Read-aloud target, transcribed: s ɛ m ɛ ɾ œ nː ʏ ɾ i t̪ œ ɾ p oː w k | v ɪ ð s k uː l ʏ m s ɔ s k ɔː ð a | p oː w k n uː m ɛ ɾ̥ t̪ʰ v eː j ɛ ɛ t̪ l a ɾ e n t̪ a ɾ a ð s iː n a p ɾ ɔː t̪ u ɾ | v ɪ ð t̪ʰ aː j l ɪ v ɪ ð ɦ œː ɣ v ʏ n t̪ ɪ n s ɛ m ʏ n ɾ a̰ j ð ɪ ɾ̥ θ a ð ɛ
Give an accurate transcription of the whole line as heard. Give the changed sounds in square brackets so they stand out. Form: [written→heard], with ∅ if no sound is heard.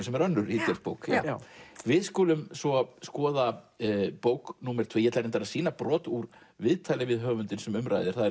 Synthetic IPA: s ɛ m ɛ ɾ œ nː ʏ ɾ i t̪ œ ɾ p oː w k | v ɪ ð s k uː l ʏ m s ɔ s k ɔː ð a | p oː w k n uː m ɛ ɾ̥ t̪ʰ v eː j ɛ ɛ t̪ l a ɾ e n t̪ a ɾ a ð s iː n a p ɾ ɔː t̪ u ɾ | v ɪ ð t̪ʰ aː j l ɪ v ɪ ð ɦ œː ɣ v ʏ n t̪ ɪ n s ɛ m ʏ [n→m] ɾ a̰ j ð ɪ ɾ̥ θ a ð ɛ